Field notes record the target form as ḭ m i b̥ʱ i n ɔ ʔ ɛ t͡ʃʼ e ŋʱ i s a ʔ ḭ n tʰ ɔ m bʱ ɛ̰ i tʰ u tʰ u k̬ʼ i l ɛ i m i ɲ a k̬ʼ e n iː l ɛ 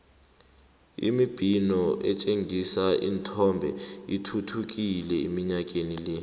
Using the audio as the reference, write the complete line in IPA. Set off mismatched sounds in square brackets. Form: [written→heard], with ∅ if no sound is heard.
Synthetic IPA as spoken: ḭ m i b̥ʱ i n ɔ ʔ ɛ t͡ʃʼ e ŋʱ i s a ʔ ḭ n tʰ ɔ m bʱ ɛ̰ i tʰ u tʰ u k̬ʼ i l ɛ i m i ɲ a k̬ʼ e n [iː→i] l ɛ